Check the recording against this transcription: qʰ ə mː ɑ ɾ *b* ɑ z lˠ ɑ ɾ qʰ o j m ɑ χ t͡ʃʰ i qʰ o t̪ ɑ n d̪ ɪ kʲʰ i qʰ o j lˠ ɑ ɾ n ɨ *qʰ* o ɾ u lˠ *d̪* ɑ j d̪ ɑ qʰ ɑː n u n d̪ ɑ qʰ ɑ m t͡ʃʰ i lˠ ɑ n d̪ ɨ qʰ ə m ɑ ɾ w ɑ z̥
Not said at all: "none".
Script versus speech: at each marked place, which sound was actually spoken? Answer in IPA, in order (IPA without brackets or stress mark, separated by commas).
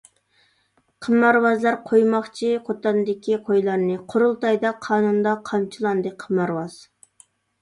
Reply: w, qʰ, t̪